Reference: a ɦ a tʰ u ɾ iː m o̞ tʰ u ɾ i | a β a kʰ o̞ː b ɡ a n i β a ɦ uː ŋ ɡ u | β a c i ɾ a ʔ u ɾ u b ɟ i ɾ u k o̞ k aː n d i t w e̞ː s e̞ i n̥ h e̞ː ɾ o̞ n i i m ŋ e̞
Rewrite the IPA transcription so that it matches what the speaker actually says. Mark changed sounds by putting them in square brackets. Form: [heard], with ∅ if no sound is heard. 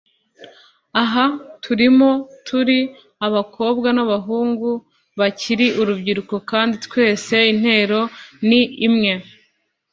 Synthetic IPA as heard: a ɦ a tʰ u ɾ [i] m o̞ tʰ u ɾ i | a β a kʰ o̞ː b ɡ a n [a] β a ɦ uː ŋ ɡ u | β a c i ɾ [i] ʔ u ɾ u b ɟ i ɾ u k o̞ k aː n d i t w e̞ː s e̞ i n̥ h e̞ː ɾ o̞ n i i m ŋ e̞